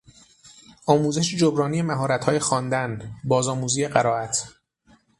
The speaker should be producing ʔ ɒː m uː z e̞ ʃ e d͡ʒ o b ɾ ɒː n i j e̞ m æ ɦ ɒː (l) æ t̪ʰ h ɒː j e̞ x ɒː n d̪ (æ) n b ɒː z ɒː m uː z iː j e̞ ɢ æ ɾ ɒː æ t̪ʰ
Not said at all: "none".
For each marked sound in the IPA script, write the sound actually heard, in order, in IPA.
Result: ɾ, æ

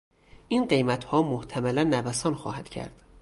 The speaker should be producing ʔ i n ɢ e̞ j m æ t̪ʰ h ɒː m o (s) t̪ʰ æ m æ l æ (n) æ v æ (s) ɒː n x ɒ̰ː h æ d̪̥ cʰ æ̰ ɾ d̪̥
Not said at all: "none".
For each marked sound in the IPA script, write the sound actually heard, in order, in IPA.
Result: h, nː, s

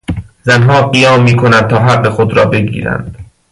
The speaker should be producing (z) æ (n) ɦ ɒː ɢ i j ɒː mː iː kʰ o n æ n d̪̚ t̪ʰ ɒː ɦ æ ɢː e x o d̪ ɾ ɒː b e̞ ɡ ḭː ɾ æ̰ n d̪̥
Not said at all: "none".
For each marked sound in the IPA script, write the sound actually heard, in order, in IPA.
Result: z, n

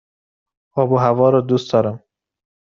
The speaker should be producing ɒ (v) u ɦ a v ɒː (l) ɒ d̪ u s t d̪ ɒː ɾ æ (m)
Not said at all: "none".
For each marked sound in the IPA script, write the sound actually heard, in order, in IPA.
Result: b, ɾ, m

